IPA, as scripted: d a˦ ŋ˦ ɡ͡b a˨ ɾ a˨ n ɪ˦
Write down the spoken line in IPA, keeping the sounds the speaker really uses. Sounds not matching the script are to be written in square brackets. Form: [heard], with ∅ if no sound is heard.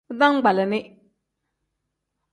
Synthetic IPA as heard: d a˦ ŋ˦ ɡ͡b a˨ [l] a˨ n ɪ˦